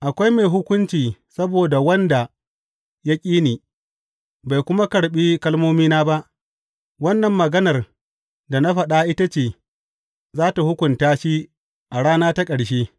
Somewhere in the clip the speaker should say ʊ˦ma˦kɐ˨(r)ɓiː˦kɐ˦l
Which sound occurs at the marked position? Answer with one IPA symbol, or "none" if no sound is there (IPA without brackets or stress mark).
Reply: ɽ